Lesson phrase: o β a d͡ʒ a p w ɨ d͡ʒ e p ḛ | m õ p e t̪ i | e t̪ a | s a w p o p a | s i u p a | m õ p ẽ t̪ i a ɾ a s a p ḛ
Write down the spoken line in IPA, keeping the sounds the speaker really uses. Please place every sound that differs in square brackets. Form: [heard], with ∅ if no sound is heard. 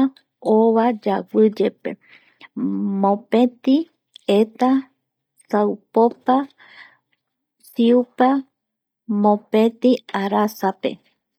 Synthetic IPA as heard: o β a d͡ʒ a [∅] w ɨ d͡ʒ e p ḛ | m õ p e t̪ i | e t̪ a | s a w p o p a | s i u p a | m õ p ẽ t̪ i a ɾ a s a p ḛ